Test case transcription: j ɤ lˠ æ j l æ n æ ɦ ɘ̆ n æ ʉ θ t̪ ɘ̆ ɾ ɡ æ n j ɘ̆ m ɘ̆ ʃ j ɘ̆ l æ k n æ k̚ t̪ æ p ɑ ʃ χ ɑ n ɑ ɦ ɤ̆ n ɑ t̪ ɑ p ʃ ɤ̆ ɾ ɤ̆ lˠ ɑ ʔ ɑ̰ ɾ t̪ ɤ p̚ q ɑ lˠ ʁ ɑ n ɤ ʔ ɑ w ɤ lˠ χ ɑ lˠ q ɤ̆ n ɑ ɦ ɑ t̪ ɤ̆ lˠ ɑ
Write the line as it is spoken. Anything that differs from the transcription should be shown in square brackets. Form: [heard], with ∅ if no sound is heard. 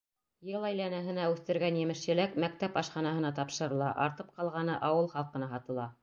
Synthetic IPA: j ɤ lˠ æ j l æ n æ ɦ ɘ̆ n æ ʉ θ t̪ ɘ̆ ɾ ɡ æ n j ɘ̆ m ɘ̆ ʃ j ɘ̆ l æ k [m] æ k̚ t̪ æ p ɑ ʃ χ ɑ n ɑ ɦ ɤ̆ n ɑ t̪ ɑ p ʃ ɤ̆ ɾ ɤ̆ lˠ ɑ ʔ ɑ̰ ɾ t̪ ɤ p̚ q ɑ lˠ ʁ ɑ n ɤ ʔ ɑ w ɤ lˠ χ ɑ lˠ q ɤ̆ n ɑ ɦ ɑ t̪ ɤ̆ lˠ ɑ